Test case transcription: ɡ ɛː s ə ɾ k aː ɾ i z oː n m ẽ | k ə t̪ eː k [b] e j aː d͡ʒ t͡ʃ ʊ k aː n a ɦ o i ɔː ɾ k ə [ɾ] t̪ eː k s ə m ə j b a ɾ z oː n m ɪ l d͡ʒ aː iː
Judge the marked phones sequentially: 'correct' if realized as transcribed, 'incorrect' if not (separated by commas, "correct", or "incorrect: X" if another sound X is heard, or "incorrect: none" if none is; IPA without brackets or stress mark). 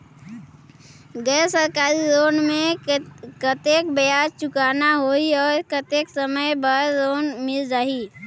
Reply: correct, incorrect: none